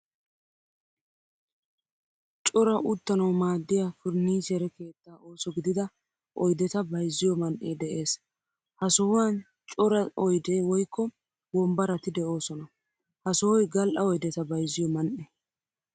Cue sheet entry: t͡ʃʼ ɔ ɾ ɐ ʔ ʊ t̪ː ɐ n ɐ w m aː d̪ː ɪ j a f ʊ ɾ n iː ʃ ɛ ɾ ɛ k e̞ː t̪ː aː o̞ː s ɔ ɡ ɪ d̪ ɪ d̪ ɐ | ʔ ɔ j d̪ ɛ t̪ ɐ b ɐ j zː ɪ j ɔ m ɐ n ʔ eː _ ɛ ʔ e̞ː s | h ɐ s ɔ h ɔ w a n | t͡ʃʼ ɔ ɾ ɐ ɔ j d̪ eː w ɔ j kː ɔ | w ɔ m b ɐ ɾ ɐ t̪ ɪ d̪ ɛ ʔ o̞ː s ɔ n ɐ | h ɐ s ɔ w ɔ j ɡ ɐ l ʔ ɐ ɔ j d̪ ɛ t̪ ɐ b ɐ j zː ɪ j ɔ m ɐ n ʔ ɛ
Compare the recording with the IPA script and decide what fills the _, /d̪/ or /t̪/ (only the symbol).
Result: d̪